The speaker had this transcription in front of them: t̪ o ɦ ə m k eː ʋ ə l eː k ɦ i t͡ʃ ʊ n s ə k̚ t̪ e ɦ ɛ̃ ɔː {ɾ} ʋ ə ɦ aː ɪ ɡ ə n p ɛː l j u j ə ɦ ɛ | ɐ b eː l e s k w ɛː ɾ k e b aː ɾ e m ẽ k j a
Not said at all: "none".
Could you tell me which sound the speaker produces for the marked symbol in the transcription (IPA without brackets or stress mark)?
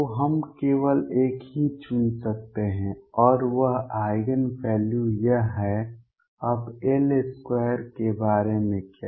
ɾ